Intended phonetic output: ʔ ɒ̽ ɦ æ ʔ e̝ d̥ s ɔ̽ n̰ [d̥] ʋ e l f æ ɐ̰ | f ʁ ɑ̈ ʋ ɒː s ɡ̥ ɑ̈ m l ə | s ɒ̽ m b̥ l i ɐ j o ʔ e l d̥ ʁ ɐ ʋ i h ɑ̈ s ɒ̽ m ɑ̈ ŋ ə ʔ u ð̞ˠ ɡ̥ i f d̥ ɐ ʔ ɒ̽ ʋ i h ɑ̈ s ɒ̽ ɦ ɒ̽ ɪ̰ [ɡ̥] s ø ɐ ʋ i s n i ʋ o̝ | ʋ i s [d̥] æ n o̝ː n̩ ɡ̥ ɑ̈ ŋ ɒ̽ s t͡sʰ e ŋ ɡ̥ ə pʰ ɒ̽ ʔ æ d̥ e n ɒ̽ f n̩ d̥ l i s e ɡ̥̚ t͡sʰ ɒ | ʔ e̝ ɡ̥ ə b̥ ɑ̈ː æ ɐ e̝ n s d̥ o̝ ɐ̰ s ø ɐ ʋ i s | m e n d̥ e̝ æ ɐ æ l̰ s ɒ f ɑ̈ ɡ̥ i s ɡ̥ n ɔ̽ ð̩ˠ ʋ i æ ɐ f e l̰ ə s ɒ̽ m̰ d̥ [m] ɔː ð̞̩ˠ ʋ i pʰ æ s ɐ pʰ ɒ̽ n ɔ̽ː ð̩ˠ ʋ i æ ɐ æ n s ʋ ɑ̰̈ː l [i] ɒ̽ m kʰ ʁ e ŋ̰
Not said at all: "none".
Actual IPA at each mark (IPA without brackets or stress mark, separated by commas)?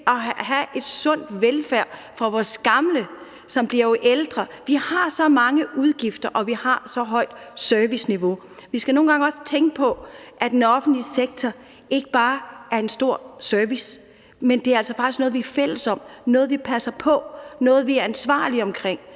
d̥, d̥, ɡ̥, n, i